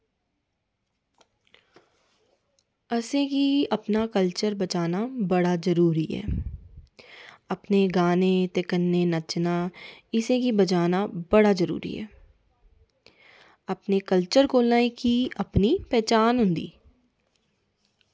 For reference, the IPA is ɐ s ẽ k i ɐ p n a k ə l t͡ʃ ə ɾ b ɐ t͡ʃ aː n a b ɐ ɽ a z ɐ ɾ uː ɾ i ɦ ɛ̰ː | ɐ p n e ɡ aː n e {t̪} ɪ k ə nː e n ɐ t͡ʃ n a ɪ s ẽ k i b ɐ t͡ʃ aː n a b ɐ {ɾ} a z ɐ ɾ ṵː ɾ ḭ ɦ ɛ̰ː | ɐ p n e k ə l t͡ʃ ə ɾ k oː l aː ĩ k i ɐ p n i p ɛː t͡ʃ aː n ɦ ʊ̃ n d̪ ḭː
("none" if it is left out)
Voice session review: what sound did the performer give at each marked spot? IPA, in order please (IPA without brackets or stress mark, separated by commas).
t̪, ɽ